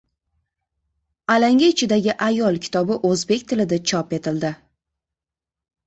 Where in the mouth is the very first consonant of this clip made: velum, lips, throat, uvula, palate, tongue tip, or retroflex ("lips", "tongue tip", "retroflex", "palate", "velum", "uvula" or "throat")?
tongue tip